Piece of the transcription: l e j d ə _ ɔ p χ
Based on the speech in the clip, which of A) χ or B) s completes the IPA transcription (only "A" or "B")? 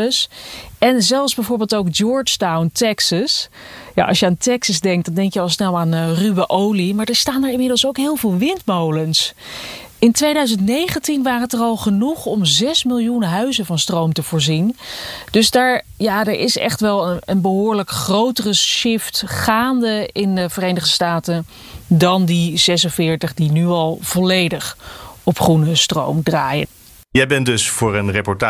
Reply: A